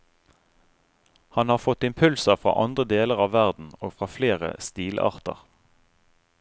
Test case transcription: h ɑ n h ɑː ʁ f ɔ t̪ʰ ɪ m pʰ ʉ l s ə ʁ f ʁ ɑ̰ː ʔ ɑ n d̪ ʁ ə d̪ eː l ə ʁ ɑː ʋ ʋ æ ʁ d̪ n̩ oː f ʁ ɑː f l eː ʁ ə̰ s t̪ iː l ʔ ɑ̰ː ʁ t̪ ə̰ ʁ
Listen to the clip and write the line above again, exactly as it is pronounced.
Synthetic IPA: h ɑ n h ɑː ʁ f ɔ t̪ ɪ m pʰ ʉ l s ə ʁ f ʁ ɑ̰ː ʔ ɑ n d̪ ʁ ə d̪ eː l ə ʁ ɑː ʋ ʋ æ ʁ d̪ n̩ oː f ʁ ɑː f l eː ʁ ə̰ s t̪ iː l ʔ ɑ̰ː ʁ t̪ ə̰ ʁ